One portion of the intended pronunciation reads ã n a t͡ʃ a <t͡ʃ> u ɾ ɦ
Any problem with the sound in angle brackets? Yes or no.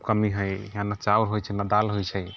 yes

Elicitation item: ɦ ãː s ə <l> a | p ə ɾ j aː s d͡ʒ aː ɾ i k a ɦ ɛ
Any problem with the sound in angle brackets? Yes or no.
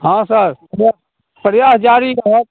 yes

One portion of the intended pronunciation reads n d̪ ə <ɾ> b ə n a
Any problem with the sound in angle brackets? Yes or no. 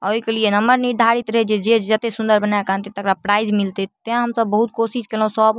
no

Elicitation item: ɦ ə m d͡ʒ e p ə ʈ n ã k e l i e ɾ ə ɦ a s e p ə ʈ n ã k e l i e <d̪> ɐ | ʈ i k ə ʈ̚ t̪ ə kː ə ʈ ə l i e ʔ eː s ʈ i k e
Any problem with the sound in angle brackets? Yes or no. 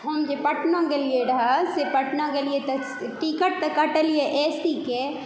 yes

